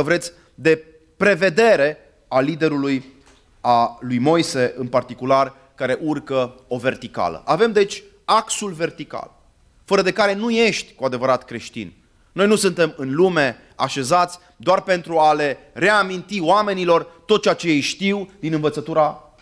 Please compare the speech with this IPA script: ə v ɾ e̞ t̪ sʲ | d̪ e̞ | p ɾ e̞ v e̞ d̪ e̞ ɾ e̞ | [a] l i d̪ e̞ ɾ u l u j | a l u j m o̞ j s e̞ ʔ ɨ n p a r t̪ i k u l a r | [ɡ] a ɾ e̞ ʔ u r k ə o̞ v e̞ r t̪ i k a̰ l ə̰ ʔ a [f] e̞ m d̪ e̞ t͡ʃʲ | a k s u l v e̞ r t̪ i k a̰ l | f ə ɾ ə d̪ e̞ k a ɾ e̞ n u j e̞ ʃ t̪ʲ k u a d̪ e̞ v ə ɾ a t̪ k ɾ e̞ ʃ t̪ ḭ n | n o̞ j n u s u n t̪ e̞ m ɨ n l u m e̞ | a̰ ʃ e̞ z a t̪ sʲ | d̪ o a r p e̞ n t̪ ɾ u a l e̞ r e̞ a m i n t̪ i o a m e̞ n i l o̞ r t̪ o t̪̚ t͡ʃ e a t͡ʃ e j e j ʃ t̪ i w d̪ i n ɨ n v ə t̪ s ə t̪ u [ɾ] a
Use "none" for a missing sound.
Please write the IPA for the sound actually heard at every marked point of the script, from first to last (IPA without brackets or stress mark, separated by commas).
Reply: a, k, v, ɾ